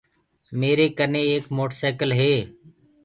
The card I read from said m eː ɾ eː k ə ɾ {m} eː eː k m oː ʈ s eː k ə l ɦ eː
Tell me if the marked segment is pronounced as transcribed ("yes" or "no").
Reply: no